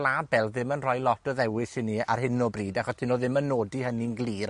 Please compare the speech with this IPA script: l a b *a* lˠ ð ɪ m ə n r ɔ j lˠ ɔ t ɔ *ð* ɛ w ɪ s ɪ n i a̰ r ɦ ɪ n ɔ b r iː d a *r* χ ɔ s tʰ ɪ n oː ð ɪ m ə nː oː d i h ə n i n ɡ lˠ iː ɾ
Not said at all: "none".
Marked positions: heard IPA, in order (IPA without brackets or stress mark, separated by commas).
ɛ, ð, none